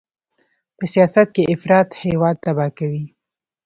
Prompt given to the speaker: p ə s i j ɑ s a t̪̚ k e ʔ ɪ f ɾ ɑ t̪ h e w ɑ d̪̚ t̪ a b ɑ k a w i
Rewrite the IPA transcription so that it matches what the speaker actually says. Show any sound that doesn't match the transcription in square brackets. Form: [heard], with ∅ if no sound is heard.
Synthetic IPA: p ə s i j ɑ s a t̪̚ k e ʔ ɪ f ɾ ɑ t̪ h e w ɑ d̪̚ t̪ a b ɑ k a w i

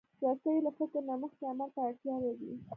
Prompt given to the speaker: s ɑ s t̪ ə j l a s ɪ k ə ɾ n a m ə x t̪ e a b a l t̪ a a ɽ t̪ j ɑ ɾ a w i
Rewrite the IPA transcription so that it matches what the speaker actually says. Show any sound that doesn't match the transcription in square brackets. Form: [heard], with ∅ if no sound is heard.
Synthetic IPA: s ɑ s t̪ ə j l a [f] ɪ k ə ɾ n a m ə x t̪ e a [m] a l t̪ a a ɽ t̪ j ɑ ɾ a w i

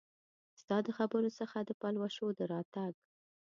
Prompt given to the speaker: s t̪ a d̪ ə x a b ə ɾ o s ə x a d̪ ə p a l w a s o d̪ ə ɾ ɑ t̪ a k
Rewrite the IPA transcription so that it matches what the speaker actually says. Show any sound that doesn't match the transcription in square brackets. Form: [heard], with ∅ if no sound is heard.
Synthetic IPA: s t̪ [ɑ] d̪ ə x a b ə ɾ o s ə x a d̪ ə p a l w a [ʃ] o d̪ ə ɾ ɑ t̪ a [ɡ]

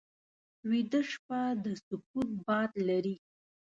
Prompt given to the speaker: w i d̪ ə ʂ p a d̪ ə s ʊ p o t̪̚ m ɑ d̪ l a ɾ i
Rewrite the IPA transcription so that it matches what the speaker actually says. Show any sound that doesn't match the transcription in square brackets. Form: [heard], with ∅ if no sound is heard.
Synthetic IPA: w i d̪ ə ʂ p a d̪ ə s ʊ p [u] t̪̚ [b] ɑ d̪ l a ɾ i

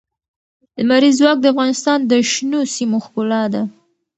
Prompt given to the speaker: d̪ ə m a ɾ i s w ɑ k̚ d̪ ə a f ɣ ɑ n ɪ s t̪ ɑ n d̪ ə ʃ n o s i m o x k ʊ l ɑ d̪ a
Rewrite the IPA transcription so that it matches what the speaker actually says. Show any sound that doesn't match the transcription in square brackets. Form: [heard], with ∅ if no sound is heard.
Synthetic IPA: d̪ ə m a ɾ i [z] w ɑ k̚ d̪ ə a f ɣ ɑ n ɪ s t̪ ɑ n d̪ ə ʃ n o s i m o x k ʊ l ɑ d̪ a

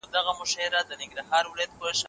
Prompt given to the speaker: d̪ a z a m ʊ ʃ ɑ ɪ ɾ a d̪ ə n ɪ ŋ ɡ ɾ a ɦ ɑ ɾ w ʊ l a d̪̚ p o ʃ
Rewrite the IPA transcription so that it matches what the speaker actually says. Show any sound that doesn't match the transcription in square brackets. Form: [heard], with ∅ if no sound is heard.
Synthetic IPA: d̪ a [ɣ] a m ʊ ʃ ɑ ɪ ɾ a d̪ ə n ɪ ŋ ɡ ɾ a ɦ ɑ ɾ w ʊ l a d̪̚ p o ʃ

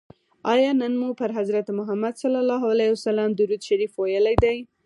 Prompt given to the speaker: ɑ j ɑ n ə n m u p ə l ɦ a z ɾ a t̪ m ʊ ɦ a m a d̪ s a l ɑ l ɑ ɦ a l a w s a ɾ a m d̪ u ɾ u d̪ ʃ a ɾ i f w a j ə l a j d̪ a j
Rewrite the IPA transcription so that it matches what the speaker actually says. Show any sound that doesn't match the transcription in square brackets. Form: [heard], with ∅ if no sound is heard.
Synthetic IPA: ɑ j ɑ n ə n m u p ə [ɾ] ɦ a z ɾ a t̪ m ʊ ɦ a m a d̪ s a l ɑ l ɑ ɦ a l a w s a [l] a m d̪ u ɾ u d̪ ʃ a ɾ i f w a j ə l a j d̪ a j

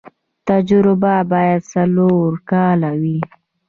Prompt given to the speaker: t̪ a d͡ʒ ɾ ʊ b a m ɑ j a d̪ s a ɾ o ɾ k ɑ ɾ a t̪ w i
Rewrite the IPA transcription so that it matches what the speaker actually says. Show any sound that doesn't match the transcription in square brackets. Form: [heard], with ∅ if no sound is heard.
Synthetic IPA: t̪ a d͡ʒ ɾ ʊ b a [b] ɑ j a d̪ s a [l] o ɾ k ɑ [l] a [∅] w i

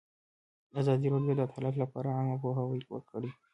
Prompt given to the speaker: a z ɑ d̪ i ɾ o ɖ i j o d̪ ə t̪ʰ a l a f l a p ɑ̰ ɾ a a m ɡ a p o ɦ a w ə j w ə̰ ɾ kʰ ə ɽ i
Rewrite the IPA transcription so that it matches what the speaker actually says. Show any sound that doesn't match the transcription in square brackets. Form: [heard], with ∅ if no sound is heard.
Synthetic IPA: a z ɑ d̪ i ɾ o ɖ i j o d̪ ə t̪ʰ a l a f l a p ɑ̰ ɾ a a [ŋ] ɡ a p o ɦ a w ə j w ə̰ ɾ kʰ ə ɽ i

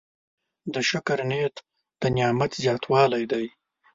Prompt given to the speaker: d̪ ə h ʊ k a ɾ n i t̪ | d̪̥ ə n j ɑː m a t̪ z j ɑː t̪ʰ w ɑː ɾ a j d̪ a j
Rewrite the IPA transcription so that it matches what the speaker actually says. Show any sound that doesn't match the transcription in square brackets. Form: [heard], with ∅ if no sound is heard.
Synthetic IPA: d̪ ə [ʃ] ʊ k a ɾ n [e] t̪ | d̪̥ ə n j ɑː m a t̪ z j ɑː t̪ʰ w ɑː [l] a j d̪ a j

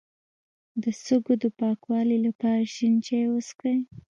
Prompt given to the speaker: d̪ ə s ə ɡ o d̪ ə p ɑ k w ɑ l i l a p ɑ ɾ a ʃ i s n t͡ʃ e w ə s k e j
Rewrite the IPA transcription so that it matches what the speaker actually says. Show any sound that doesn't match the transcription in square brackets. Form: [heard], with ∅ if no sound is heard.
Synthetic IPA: d̪ ə s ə ɡ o d̪ ə p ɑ k w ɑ l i l a p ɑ ɾ a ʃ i [∅] n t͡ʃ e w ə s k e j

